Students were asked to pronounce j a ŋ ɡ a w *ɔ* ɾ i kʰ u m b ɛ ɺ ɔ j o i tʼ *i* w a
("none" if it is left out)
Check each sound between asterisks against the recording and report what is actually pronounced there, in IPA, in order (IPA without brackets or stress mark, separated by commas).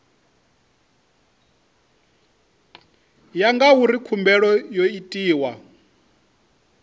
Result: u, iː